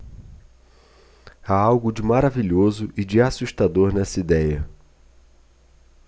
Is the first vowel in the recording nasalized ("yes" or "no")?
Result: no